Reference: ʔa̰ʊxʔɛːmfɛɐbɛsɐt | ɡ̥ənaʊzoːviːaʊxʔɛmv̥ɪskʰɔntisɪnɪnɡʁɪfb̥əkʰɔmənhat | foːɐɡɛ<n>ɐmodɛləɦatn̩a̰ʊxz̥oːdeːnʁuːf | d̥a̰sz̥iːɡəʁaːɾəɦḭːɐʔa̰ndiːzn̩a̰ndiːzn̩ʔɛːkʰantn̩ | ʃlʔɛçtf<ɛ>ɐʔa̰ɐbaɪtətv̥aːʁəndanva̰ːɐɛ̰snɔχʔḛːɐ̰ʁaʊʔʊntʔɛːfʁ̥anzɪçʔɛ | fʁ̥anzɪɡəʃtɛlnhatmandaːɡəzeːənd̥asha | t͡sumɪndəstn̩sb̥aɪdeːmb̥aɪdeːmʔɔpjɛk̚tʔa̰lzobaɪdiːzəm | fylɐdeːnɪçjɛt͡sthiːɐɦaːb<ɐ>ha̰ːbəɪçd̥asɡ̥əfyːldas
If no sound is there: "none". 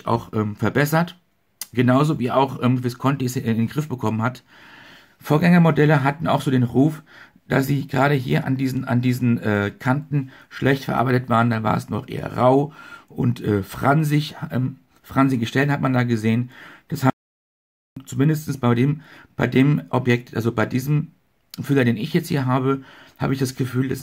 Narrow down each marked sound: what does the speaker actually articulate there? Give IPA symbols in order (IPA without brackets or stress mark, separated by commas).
ŋ, ɛ, ə